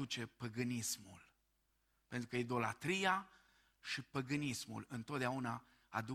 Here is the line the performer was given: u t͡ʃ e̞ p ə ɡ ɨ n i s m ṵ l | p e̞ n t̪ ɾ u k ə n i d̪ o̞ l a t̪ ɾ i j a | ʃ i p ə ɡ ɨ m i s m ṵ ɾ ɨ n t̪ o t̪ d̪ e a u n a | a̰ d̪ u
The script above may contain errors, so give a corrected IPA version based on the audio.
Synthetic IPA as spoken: u t͡ʃ e̞ p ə ɡ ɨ n i s m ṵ l | p e̞ n t̪ ɾ u k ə i d̪ o̞ l a t̪ ɾ i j a | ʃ i p ə ɡ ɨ n i s m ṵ l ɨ n t̪ o t̪ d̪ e a u n a | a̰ d̪ u